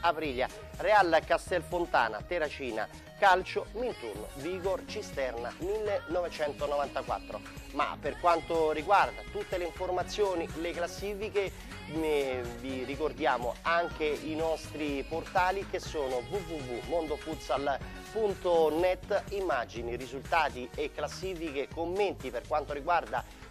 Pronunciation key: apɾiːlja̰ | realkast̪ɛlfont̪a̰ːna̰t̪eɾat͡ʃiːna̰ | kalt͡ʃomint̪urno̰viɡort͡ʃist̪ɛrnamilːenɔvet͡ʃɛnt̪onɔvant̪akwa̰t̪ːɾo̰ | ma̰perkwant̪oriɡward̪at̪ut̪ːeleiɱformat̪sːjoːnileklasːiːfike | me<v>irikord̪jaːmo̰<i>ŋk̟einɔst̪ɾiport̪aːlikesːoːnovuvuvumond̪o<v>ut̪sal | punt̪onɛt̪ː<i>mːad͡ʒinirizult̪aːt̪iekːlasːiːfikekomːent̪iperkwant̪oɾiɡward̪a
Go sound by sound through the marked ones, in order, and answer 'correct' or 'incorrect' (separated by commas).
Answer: correct, incorrect, incorrect, correct